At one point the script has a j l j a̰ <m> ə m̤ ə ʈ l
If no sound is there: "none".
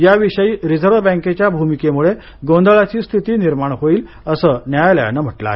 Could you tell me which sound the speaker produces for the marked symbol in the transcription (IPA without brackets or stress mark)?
n